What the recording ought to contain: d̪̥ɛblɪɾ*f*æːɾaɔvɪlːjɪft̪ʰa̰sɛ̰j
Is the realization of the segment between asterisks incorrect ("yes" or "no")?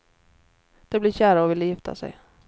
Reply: yes